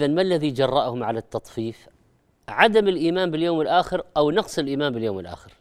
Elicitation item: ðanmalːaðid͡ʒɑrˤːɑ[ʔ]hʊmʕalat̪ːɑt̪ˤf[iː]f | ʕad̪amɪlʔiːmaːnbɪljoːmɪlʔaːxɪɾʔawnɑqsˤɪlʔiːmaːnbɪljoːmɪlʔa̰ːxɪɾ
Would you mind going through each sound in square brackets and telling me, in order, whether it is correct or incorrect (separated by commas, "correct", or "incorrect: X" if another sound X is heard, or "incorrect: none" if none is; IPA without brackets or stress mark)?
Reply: correct, correct